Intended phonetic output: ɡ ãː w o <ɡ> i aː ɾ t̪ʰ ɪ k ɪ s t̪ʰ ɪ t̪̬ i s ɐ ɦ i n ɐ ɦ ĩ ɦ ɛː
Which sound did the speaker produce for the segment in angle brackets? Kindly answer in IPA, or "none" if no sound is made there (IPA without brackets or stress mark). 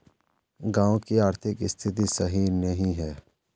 k